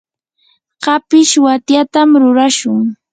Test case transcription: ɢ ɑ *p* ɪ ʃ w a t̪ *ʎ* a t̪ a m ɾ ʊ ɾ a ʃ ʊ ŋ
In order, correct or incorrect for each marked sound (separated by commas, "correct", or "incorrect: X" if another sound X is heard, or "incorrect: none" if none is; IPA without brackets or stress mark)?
correct, incorrect: j